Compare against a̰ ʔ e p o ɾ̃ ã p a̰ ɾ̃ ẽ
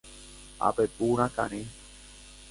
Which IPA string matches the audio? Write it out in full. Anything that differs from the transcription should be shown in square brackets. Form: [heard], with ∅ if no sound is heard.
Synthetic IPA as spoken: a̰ [p] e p [u] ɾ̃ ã [k] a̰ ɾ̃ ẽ